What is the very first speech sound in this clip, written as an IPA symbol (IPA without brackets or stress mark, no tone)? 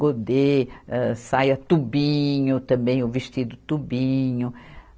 o